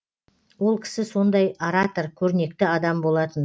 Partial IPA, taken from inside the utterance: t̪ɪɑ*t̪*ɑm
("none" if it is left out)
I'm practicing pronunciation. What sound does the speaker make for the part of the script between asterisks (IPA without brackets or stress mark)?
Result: d̪